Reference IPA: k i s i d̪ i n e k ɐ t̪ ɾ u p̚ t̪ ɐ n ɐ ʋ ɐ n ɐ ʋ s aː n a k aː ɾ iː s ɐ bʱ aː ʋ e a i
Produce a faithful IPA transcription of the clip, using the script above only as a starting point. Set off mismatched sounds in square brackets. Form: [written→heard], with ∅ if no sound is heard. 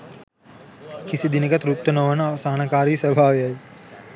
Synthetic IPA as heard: k i s i d̪ i n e k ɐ t̪ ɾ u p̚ t̪ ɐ n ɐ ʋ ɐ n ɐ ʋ s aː n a k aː ɾ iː s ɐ bʱ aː ʋ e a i